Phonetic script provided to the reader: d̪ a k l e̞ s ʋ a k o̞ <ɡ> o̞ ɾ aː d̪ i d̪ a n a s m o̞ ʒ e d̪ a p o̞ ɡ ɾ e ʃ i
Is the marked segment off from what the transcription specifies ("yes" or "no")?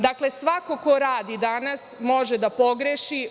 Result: yes